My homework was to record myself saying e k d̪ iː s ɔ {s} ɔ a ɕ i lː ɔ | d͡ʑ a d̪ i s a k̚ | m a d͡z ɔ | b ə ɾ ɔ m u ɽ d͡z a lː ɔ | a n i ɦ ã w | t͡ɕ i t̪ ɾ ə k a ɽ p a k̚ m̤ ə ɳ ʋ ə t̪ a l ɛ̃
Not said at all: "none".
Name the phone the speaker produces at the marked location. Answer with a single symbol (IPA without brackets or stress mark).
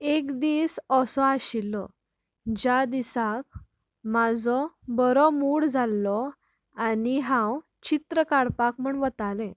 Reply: s